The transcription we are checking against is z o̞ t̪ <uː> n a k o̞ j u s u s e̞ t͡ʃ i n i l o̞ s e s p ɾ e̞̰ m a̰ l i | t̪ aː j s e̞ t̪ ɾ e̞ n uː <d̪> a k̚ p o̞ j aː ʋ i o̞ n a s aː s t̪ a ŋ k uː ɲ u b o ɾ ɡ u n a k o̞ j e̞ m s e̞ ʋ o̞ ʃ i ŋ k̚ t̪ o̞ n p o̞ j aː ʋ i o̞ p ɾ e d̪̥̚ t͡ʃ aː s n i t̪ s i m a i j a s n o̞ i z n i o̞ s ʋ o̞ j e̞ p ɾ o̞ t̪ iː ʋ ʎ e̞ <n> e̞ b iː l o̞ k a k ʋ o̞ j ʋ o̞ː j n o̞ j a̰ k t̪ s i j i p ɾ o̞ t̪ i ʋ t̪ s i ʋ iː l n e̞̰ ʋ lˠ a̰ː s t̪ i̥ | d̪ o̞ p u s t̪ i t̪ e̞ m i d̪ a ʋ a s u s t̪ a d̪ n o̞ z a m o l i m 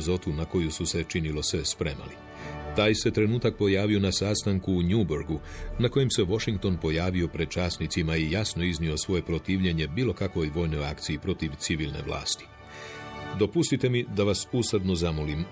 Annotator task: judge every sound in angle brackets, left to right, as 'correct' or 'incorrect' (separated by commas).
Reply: incorrect, incorrect, incorrect